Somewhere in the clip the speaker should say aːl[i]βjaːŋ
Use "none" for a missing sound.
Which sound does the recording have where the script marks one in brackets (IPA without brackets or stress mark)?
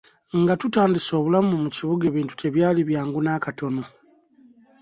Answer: i